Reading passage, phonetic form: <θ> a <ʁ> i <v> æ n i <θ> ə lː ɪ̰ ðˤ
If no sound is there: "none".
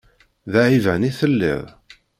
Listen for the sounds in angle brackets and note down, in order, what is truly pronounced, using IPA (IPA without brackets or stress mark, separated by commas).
ð, ʕ, v, θ